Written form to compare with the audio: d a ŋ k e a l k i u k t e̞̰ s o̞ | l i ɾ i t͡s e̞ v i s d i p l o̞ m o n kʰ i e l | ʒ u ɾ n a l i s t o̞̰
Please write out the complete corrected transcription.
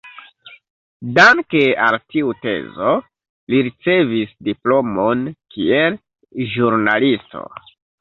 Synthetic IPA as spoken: d a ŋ k e a l t i u t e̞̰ z o̞ | l i ɾ i t͡s e̞ v i s d i p l o̞ m o n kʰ i e l | ʒ u ɾ n a l i s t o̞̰